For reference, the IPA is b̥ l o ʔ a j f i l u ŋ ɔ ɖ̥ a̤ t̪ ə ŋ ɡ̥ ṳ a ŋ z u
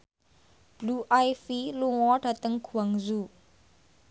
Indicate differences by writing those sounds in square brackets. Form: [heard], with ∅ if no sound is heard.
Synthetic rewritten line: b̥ l [u] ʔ a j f i l u ŋ ɔ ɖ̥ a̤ t̪ ə ŋ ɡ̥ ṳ a ŋ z u